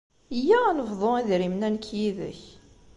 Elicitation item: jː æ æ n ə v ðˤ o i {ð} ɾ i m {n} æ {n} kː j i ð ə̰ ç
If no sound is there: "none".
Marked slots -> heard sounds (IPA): ð, n, n

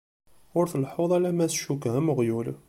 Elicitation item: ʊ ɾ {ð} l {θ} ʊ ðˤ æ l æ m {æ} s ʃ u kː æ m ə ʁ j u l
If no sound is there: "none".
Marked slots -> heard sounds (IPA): θ, ħ, æ

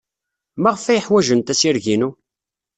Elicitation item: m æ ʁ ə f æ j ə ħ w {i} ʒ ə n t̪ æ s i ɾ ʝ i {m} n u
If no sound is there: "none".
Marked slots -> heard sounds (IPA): æ, none

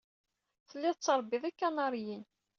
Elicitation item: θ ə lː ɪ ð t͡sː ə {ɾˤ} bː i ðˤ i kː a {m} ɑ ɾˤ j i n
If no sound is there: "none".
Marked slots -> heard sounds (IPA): ɾˤ, n

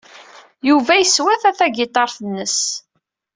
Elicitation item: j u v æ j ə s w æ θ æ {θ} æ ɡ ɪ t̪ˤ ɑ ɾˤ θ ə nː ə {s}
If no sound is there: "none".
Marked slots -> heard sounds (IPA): θ, s

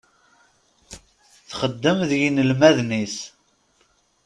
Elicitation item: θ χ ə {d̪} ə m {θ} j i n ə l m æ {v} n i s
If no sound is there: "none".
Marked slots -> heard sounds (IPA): d̪ː, ð, ð

